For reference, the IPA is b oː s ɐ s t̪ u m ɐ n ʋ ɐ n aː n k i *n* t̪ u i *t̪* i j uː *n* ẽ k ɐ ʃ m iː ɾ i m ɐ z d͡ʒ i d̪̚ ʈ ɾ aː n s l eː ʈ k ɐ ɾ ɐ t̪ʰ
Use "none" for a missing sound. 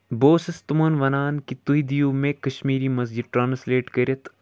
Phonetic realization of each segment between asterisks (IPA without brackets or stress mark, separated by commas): none, d̪, m